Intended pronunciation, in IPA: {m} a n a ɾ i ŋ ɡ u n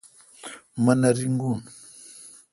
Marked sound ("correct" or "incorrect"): correct